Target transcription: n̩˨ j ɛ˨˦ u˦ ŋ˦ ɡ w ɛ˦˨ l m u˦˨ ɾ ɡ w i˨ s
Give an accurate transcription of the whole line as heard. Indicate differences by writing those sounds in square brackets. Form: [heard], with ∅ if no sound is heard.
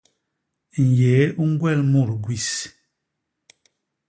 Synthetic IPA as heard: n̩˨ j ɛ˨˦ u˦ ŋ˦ ɡ w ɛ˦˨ l m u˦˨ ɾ ɡ w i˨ s